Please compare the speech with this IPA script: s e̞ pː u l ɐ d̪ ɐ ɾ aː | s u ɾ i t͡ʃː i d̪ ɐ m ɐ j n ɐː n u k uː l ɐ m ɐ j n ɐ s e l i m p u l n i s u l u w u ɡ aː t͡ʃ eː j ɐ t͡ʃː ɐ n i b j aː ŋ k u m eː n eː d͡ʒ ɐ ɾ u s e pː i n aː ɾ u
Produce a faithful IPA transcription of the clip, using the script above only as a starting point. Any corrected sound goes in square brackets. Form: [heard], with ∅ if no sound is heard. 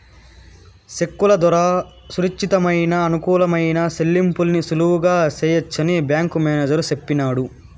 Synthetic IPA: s e̞ [kː] u l ɐ d̪ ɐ ɾ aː | s u ɾ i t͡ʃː i [t̪] ɐ m ɐ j n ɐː n u k uː l ɐ m ɐ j n ɐ s e [lː] i m p u l n i s u l u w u ɡ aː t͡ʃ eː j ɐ t͡ʃː ɐ n i b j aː ŋ k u m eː n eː d͡ʒ ɐ ɾ u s e pː i n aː [ɽ] u

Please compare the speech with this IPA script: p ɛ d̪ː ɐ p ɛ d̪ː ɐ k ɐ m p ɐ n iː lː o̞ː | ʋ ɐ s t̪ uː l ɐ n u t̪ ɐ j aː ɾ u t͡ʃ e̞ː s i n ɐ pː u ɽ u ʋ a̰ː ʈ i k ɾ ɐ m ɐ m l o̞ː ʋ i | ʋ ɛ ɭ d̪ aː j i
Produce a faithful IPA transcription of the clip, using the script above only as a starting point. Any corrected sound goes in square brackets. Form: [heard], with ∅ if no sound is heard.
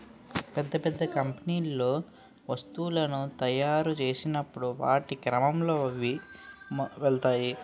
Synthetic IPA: p ɛ d̪ː ɐ p ɛ d̪ː ɐ k ɐ m p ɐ n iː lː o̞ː | ʋ ɐ s t̪ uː l ɐ n u t̪ ɐ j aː ɾ u t͡ʃ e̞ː s i n ɐ pː u ɽ u ʋ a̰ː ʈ i k ɾ ɐ m ɐ m l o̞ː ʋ i | ʋ ɛ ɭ [t̪] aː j i

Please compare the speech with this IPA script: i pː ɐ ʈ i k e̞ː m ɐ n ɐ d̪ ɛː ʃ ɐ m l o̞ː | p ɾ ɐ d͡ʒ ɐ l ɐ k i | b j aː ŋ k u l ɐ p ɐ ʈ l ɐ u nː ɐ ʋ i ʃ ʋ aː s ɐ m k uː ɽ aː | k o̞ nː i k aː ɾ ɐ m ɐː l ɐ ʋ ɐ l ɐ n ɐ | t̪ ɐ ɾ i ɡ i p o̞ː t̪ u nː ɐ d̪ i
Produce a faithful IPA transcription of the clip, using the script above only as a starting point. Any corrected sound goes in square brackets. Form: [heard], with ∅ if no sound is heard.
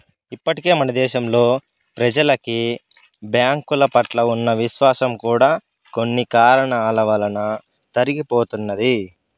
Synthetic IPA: i pː ɐ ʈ i k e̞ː m ɐ n ɐ d̪ ɛː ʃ ɐ m l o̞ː | p ɾ ɐ d͡ʒ ɐ l ɐ k i | b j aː ŋ k u l ɐ p ɐ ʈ l ɐ u nː ɐ ʋ i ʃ ʋ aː s ɐ m k uː ɽ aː | k o̞ nː i k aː ɾ ɐ [ɳ] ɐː l ɐ ʋ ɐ l ɐ n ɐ | t̪ ɐ ɾ i ɡ i p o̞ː t̪ u nː ɐ d̪ i

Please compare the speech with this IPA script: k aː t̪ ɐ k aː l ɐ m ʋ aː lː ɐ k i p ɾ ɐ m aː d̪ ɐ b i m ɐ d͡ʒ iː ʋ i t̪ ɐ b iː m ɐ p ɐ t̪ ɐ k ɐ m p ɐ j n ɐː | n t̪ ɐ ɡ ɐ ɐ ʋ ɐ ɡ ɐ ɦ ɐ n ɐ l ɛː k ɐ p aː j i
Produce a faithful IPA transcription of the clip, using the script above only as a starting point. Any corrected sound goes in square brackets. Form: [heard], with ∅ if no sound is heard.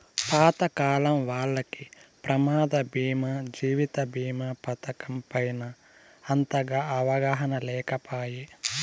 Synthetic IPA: [p] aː t̪ ɐ k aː l ɐ m ʋ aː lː ɐ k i p ɾ ɐ m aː d̪ ɐ b [iː] m ɐ d͡ʒ iː ʋ i t̪ ɐ b iː m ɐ p ɐ t̪ ɐ k ɐ m p ɐ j n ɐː | n t̪ ɐ ɡ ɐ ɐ ʋ ɐ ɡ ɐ ɦ ɐ n ɐ l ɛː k ɐ p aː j i

